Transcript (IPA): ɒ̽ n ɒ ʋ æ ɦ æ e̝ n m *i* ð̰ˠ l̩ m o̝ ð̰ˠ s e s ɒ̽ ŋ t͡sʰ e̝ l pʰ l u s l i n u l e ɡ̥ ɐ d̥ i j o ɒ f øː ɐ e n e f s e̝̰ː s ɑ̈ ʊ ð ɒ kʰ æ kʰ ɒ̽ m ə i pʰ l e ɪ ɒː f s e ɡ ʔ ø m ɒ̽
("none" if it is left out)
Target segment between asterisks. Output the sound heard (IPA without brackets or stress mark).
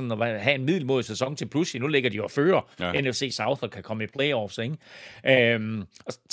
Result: i